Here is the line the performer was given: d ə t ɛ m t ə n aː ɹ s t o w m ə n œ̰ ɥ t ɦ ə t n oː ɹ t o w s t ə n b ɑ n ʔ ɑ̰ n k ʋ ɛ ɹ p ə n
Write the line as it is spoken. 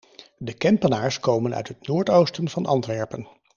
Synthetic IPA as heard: d ə k ɛ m p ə n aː ɹ s k o w m ə n œ̰ ɥ t ɦ ə t n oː ɹ t o w s t ə n v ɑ n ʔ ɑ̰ n t ʋ ɛ ɹ p ə n